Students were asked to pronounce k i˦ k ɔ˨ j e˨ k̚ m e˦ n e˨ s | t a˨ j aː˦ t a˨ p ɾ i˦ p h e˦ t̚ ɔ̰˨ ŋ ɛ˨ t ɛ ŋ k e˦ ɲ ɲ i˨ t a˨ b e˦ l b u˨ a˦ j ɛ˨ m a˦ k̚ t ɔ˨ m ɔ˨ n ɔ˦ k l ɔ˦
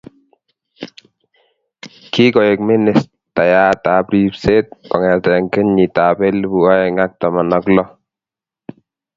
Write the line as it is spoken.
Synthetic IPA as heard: k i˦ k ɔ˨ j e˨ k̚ m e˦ n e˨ s | t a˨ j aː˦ t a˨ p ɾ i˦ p s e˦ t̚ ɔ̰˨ ŋ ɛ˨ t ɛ ŋ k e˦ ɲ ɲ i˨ t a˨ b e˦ l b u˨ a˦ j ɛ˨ ŋ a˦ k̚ t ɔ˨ m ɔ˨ n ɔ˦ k l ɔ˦

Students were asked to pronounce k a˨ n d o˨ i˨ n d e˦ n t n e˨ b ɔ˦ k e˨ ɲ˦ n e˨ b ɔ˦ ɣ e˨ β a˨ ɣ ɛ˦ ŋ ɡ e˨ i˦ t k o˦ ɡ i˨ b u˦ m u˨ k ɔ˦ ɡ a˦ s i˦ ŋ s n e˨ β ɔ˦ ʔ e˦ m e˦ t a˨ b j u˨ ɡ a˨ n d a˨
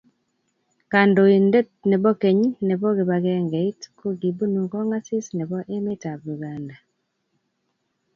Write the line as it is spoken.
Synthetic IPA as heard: k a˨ n d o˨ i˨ n d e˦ t n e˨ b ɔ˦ k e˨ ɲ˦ n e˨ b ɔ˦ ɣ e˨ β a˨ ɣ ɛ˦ ŋ ɡ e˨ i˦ t k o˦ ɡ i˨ b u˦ n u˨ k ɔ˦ ŋ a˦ s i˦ s n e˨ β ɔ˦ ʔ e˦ m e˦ t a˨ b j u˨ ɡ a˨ n d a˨

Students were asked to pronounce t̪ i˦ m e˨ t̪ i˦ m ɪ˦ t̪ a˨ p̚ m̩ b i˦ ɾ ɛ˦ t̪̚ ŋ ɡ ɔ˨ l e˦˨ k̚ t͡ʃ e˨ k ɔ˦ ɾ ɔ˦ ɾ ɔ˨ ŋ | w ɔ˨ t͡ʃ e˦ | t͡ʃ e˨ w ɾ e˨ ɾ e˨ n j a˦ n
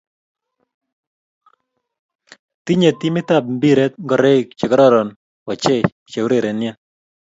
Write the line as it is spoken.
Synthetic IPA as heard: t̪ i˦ ɲ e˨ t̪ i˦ m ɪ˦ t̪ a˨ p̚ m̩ b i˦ ɾ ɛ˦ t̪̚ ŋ ɡ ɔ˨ ɾ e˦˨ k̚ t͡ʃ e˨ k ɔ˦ ɾ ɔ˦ ɾ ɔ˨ n | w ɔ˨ t͡ʃ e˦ | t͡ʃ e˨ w ɾ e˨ ɾ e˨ n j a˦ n

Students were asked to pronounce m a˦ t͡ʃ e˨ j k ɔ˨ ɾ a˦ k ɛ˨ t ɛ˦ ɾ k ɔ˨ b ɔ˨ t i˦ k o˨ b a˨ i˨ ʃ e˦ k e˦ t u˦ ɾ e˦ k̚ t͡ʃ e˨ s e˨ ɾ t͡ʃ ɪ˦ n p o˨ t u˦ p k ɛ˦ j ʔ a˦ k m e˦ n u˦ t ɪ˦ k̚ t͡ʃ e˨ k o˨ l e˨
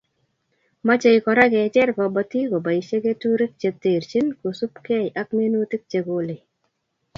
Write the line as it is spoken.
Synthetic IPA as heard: m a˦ t͡ʃ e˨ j k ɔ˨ ɾ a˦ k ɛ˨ t͡ʃ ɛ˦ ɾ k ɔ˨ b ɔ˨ t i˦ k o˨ b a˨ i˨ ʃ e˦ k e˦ t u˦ ɾ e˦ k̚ t͡ʃ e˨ t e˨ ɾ t͡ʃ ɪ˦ n k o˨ s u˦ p k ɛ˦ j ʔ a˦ k m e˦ n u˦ t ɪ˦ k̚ t͡ʃ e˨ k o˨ l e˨

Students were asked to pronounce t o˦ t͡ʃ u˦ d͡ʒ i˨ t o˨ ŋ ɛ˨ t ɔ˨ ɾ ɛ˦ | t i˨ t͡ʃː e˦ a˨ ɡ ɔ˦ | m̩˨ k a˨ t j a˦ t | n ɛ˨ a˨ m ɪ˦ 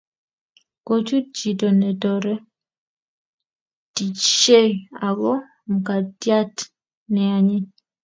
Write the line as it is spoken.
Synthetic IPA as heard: k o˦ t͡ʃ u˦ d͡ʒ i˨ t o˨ n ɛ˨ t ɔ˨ ɾ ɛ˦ | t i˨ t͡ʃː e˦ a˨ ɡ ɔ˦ | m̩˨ k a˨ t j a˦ t | n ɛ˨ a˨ ɲ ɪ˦

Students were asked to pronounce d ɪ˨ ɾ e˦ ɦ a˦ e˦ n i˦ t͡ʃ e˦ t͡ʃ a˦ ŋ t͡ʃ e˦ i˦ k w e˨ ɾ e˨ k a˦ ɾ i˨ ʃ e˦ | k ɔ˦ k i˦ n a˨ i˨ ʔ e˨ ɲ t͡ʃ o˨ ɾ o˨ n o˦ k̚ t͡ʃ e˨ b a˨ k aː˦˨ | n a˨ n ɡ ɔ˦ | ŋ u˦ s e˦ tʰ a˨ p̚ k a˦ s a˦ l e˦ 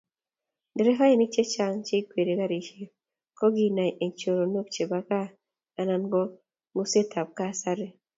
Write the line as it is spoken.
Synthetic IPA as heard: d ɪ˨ ɾ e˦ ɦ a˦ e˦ n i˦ t͡ʃ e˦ t͡ʃ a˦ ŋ t͡ʃ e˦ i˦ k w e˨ ɾ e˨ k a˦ ɾ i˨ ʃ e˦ | k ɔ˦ ɡ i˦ n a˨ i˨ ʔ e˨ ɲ t͡ʃ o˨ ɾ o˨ n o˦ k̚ t͡ʃ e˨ b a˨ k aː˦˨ | n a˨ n ɡ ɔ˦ | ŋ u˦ s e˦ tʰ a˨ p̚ k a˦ s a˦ ɾ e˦

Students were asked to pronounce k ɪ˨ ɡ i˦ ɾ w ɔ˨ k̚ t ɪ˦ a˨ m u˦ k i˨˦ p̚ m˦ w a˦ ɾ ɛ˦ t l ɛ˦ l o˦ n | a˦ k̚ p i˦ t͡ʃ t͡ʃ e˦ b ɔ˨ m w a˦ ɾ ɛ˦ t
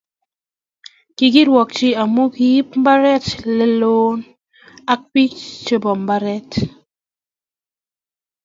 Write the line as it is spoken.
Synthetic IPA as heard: k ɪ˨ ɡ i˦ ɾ w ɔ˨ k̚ t͡ʃ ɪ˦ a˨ m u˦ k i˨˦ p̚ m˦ b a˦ ɾ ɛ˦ t l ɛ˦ l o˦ n | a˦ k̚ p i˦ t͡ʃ t͡ʃ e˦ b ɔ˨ m b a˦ ɾ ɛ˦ t

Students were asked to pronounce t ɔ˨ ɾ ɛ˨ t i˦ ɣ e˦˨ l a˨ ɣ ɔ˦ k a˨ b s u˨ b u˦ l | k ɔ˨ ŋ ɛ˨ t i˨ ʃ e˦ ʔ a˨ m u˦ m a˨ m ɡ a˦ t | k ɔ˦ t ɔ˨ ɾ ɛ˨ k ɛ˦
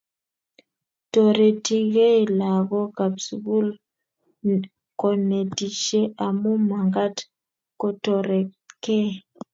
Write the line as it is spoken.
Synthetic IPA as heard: t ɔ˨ ɾ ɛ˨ t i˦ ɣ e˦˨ l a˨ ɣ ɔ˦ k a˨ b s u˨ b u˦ l | k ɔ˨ n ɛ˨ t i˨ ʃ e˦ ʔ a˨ m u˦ m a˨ ŋ ɡ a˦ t | k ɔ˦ t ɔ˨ ɾ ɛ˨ k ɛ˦

